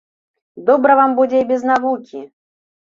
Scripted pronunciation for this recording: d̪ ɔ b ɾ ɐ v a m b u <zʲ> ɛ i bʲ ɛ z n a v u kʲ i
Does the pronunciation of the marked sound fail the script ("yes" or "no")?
yes